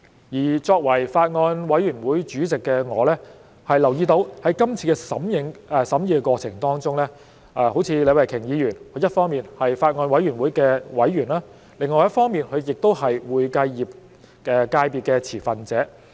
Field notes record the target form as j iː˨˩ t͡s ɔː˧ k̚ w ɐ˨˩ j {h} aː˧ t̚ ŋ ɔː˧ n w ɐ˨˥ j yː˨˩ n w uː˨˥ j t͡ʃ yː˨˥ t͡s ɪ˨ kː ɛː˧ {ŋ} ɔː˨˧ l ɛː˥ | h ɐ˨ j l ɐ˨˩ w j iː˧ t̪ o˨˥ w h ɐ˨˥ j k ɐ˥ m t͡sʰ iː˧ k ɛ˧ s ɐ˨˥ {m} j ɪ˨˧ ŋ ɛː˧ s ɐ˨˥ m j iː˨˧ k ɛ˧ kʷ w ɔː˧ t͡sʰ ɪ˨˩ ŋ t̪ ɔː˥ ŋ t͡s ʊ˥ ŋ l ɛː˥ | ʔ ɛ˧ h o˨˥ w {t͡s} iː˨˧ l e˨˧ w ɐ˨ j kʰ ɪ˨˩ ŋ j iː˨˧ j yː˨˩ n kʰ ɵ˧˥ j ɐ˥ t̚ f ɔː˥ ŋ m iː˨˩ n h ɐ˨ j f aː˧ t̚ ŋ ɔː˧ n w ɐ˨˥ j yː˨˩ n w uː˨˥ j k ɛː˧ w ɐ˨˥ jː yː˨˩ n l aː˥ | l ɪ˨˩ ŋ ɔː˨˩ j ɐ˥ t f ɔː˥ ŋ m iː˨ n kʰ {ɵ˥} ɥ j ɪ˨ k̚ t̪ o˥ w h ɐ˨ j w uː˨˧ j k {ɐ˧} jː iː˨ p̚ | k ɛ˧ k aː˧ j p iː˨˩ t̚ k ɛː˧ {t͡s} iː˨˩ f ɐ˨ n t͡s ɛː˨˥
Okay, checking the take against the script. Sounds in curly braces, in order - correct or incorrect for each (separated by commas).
incorrect, correct, correct, incorrect, incorrect, correct, incorrect